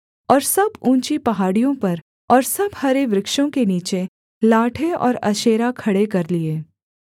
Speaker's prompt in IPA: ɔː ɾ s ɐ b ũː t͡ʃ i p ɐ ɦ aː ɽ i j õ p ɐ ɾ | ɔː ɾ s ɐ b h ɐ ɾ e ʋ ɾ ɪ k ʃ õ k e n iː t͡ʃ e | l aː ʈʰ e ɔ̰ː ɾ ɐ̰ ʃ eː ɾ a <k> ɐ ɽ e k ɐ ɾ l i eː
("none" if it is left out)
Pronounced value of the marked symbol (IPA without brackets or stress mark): kʰ